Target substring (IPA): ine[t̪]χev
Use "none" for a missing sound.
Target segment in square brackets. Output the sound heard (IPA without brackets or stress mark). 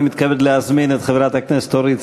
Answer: t̪